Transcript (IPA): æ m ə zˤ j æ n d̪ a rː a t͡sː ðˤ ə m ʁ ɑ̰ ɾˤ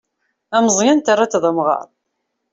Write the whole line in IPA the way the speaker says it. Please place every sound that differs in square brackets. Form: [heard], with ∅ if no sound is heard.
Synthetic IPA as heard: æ m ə zˤ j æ n [t̪] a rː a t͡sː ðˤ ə m ʁ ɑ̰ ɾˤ